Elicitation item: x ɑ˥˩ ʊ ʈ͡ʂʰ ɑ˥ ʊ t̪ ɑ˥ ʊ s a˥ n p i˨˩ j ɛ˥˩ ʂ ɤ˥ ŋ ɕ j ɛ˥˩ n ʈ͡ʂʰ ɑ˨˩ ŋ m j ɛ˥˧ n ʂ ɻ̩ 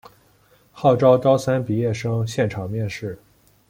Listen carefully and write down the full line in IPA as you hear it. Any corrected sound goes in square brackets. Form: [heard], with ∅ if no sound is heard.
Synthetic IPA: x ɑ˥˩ ʊ [ʈ͡ʂ] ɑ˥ ʊ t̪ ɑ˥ ʊ s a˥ n p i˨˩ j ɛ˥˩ ʂ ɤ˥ ŋ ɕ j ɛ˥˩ n ʈ͡ʂʰ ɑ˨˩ ŋ m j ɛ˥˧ n ʂ ɻ̩